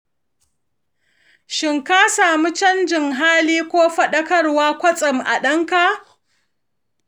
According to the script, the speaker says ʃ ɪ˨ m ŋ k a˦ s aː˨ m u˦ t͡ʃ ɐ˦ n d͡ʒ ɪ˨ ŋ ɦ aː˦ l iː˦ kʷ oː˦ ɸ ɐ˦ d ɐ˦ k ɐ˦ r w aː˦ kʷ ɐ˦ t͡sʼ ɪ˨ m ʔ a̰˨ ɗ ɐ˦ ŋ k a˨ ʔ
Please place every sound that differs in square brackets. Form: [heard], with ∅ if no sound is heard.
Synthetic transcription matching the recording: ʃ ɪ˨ [∅] ŋ k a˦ s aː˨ m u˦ t͡ʃ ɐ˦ n d͡ʒ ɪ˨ ŋ ɦ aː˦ l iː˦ kʷ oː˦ ɸ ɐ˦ [ɗ] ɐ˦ k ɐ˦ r w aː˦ kʷ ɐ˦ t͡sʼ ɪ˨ m ʔ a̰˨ ɗ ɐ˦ ŋ k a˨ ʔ